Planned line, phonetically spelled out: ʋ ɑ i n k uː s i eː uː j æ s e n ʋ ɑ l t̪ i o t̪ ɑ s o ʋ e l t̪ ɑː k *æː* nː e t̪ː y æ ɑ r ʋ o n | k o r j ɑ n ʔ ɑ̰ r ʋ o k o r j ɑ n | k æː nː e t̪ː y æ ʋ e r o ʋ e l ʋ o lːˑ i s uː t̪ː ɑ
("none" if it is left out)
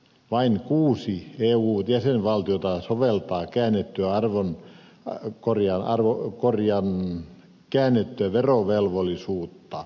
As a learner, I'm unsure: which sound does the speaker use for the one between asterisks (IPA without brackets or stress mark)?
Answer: æː